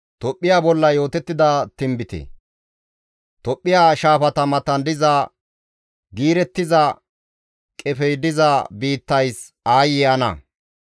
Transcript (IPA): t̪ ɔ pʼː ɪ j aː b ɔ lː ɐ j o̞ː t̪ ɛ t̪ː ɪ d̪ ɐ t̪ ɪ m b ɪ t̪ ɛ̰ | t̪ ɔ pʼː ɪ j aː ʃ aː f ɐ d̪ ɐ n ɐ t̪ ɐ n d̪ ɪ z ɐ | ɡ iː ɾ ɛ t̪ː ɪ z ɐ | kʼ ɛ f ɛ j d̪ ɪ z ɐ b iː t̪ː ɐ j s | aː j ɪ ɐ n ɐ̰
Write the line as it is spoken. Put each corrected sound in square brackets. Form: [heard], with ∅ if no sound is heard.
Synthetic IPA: t̪ ɔ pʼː ɪ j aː b ɔ lː ɐ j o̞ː t̪ ɛ t̪ː ɪ d̪ ɐ t̪ ɪ m b ɪ t̪ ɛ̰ | t̪ ɔ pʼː ɪ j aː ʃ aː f ɐ [t̪] ɐ [m] ɐ t̪ ɐ n d̪ ɪ z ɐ | ɡ iː ɾ ɛ t̪ː ɪ z ɐ | kʼ ɛ f ɛ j d̪ ɪ z ɐ b iː t̪ː ɐ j s | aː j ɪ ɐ n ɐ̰